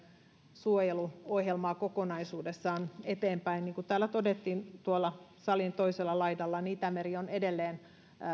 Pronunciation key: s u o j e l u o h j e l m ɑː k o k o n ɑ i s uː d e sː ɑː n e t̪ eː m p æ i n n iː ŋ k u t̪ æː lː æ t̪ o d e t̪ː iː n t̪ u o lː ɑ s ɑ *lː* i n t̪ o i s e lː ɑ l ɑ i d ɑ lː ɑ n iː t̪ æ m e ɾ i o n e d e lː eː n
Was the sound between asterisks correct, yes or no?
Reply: no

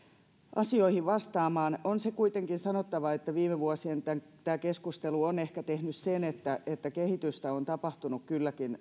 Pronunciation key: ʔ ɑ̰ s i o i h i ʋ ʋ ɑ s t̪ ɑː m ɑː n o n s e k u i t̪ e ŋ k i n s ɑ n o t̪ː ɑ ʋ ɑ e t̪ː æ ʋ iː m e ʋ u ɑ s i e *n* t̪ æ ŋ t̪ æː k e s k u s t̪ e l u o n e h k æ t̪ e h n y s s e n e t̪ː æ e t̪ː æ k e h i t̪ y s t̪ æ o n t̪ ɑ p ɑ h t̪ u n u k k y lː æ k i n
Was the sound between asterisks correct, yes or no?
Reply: yes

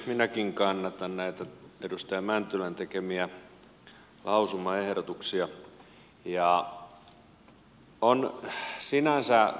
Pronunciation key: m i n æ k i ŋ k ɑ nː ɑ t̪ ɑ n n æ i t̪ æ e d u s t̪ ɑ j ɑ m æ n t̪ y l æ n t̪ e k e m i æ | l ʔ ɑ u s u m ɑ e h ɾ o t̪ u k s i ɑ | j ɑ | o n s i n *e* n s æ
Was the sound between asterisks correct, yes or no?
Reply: no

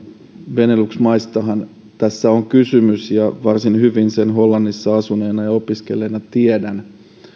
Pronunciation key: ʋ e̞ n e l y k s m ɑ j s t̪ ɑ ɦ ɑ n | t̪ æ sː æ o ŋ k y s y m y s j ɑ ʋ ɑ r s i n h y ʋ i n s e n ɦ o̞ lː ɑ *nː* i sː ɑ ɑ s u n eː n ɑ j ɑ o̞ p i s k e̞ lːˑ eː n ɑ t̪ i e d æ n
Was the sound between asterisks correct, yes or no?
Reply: yes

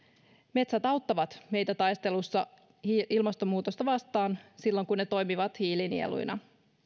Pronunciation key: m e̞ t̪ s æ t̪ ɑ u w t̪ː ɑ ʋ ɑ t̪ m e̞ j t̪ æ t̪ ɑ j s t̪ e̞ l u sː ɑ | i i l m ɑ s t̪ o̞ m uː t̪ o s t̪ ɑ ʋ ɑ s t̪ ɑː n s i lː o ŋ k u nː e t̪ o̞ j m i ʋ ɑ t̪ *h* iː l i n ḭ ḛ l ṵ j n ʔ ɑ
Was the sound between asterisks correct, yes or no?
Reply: yes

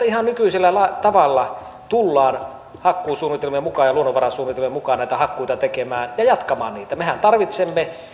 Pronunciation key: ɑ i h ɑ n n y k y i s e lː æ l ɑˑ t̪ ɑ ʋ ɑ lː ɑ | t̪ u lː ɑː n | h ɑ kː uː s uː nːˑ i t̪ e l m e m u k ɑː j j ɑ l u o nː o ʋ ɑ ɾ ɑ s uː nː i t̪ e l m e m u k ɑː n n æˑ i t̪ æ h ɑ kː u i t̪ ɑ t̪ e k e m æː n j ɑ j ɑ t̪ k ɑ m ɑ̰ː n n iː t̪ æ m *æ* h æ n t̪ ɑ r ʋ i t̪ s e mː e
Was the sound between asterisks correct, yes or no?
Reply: no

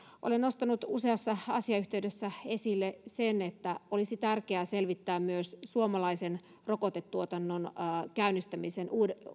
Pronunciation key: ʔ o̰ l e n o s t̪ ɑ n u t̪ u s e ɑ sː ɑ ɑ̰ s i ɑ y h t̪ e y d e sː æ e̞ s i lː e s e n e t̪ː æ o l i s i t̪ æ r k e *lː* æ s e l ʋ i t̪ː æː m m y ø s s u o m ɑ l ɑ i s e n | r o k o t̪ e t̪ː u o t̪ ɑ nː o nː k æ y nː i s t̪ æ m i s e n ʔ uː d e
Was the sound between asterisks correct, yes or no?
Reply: no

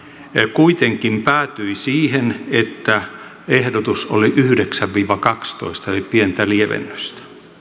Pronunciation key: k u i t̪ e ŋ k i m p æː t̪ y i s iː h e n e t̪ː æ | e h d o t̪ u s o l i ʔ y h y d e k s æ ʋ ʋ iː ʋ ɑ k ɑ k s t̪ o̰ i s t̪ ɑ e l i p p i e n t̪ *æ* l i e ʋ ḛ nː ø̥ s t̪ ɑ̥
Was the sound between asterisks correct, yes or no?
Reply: yes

